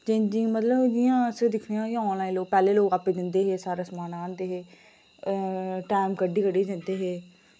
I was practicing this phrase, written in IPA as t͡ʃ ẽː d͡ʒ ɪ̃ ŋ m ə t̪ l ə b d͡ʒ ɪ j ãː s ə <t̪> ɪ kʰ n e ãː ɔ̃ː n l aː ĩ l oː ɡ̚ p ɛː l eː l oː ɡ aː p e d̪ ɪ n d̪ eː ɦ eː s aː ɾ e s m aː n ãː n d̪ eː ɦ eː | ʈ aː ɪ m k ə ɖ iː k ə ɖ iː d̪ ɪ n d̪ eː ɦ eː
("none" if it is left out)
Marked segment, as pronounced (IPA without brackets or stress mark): d̪